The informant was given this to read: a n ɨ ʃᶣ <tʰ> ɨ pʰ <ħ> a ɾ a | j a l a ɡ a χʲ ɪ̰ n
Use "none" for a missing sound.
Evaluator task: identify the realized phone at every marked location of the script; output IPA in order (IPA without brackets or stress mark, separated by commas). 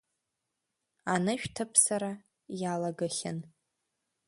tʰ, s